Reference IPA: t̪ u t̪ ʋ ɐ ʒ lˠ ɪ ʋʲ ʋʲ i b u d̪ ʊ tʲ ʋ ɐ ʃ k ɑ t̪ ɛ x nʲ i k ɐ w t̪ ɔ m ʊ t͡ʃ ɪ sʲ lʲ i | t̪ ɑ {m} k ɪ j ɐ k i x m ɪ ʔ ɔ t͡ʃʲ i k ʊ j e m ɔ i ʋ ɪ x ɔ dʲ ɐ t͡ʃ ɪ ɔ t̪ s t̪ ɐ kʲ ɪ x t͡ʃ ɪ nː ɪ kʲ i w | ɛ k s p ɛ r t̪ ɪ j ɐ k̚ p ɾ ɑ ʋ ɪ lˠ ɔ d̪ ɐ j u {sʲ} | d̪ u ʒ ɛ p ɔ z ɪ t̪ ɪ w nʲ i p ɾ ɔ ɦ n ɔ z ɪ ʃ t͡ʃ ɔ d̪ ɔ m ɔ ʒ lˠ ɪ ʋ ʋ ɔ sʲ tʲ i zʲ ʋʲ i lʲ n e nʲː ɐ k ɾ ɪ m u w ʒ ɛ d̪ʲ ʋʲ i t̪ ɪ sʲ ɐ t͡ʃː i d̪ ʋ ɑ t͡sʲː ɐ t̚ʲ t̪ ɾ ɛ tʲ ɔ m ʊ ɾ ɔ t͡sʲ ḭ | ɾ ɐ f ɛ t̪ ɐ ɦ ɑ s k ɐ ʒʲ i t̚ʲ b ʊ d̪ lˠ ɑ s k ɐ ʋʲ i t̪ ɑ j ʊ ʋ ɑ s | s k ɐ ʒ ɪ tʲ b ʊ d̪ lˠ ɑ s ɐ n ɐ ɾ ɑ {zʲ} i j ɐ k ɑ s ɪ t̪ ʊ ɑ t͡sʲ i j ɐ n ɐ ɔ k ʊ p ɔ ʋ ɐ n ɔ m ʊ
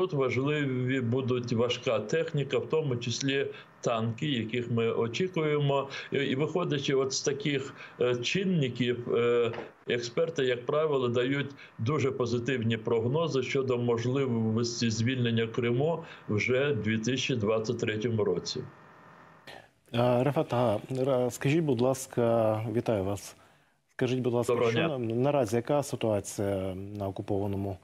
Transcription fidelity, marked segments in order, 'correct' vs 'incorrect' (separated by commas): incorrect, incorrect, correct